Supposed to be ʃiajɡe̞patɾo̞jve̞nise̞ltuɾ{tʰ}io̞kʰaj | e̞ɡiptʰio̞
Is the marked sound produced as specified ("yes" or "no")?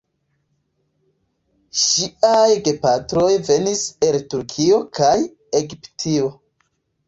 no